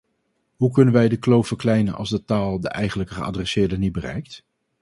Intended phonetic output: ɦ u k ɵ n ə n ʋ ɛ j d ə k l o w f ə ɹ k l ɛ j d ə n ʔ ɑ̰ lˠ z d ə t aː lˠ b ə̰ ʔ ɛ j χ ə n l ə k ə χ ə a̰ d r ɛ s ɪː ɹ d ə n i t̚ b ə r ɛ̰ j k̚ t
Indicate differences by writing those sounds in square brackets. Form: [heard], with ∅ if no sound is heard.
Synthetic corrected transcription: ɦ u k ɵ n ə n ʋ ɛ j d ə k l o w f ə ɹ k l ɛ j [n] ə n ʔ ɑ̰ lˠ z d ə t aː lˠ [d] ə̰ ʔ ɛ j χ ə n l ə k ə χ ə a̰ d r ɛ s ɪː ɹ d ə n i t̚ b ə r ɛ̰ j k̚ t